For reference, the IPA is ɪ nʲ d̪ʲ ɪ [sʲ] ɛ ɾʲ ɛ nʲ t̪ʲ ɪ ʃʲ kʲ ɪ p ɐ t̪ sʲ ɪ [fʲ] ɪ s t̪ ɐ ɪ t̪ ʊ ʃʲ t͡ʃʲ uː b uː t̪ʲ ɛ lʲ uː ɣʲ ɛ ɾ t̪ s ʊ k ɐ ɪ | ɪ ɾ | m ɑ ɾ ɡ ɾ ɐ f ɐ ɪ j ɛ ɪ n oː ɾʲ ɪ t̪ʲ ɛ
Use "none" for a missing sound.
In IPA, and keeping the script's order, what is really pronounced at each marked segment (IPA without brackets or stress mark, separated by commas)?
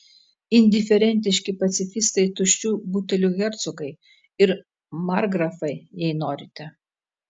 fʲ, fʲ